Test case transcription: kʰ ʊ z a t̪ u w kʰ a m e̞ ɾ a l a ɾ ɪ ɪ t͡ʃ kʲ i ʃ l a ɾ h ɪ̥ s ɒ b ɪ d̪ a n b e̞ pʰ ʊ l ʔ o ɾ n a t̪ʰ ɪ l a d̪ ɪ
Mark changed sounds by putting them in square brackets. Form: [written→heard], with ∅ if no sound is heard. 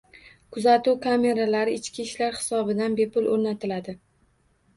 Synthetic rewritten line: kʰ ʊ z a t̪ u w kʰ a m e̞ ɾ a l a ɾ ɪ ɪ t͡ʃ kʲ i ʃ l a ɾ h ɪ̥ s ɒ b ɪ d̪ a n b e̞ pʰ ʊ l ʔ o ɾ n a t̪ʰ ɪ l a d̪ ɪ